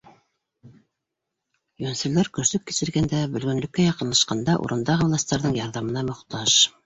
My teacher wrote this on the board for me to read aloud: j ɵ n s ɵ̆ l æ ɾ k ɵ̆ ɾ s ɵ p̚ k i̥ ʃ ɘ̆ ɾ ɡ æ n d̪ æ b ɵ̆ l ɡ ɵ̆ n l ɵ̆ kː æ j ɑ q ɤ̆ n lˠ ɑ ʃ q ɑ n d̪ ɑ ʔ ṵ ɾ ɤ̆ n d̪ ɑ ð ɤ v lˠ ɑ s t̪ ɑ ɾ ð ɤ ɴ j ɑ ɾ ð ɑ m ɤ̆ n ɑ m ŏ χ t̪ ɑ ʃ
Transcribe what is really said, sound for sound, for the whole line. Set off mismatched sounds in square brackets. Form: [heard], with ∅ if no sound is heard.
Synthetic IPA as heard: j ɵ n s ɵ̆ l æ ɾ k ɵ̆ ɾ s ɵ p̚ k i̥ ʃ ɘ̆ ɾ ɡ æ n d̪ æ b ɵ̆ l ɡ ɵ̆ n l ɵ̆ kː æ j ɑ q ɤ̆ n lˠ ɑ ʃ q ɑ n d̪ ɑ ʔ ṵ ɾ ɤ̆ n d̪ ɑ [ʁ] ɤ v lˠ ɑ s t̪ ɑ ɾ ð ɤ ɴ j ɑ ɾ ð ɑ m ɤ̆ n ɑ m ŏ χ t̪ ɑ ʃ